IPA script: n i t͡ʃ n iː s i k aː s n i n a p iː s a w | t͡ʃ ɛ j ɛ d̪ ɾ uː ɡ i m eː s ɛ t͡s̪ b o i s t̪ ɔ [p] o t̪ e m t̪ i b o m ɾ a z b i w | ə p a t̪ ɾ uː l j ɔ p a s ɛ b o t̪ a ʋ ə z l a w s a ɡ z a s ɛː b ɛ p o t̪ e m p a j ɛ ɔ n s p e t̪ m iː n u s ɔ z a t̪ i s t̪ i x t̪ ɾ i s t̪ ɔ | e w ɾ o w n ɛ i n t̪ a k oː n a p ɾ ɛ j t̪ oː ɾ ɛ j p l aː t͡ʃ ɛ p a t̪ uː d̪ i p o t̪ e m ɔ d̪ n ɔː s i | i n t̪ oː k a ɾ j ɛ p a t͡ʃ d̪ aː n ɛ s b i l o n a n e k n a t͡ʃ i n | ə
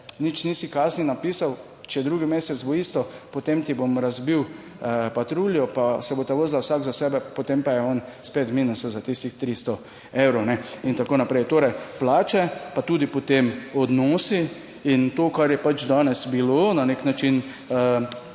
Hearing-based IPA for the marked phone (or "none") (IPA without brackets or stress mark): p